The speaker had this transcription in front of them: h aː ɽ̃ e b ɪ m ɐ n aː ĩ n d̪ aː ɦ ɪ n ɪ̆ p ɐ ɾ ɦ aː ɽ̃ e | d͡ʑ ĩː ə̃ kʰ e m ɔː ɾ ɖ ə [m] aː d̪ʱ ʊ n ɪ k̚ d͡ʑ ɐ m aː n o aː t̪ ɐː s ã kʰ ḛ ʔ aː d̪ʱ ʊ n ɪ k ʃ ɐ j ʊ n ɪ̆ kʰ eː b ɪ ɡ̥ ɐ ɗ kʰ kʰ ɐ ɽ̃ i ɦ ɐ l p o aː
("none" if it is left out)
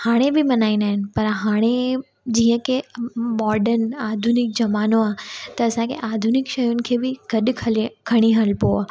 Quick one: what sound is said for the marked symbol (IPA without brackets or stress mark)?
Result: n